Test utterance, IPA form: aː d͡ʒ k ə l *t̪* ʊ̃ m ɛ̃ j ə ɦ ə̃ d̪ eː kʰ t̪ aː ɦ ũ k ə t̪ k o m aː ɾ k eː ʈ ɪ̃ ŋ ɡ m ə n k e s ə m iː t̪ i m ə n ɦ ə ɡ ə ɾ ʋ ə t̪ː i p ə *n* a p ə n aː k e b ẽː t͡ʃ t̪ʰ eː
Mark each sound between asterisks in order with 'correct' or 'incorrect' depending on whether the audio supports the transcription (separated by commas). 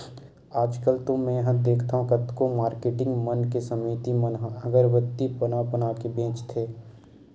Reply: correct, correct